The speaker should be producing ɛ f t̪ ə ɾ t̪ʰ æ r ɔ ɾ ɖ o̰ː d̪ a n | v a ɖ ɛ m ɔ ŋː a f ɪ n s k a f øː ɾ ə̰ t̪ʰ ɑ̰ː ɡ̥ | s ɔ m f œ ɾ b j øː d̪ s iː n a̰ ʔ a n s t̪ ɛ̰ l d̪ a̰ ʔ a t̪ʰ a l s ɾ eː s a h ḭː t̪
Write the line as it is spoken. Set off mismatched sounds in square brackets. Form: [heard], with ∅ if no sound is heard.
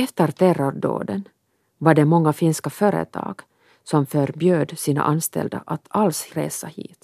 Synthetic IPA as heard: ɛ f t̪ ə ɾ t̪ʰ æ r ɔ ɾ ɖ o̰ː d̪ [ə] n | v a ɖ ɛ m ɔ ŋː a f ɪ n s k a f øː ɾ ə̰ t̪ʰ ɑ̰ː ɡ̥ | s ɔ m f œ ɾ b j øː d̪ s iː n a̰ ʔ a n s t̪ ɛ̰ l d̪ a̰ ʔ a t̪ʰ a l s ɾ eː s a h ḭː t̪